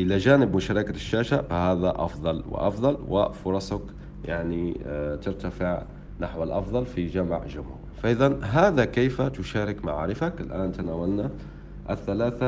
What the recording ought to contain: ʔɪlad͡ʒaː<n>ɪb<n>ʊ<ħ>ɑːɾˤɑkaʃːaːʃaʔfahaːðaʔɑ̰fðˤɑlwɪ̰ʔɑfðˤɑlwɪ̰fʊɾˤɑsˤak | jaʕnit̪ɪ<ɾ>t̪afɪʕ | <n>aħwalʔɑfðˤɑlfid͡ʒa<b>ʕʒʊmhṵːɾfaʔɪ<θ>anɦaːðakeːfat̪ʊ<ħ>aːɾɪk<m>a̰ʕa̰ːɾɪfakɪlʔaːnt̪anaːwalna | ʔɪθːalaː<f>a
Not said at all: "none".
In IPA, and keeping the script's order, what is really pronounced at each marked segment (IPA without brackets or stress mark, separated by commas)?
n, m, ʃ, ɾ, n, m, ð, ʃ, m, θ